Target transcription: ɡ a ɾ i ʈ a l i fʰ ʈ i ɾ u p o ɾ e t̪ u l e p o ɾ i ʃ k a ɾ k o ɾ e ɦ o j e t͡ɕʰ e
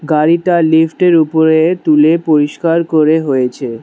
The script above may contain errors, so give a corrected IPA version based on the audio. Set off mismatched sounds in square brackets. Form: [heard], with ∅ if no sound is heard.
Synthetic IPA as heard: ɡ a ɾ i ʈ a l i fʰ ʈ [e] ɾ u p o ɾ e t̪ u l e p o ɾ i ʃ k a ɾ k o ɾ e ɦ o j e t͡ɕʰ e

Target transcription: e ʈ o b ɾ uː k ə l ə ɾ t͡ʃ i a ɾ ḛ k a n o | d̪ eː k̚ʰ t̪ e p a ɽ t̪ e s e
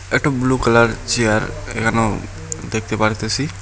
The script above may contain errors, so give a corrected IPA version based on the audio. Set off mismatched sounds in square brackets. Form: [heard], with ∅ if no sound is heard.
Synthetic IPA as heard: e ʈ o b [l] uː k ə l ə ɾ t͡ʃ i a ɾ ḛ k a n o | d̪ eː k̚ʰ t̪ e p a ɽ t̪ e s [i]

